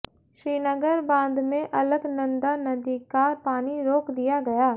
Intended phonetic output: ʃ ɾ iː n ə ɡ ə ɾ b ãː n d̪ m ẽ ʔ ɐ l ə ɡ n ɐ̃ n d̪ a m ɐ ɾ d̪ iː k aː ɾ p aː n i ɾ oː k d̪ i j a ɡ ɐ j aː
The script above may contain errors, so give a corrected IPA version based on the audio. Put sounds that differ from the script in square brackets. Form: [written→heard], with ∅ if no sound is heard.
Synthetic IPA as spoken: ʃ ɾ iː n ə ɡ ə ɾ b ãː n d̪ m ẽ ʔ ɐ l ə ɡ n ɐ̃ n d̪ a [m→n] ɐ [ɾ→∅] d̪ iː k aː ɾ p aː n i ɾ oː k d̪ i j a ɡ ɐ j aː